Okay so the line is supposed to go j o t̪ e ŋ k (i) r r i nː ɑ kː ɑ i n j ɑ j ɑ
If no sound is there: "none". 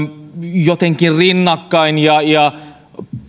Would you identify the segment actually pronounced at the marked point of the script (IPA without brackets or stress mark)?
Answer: i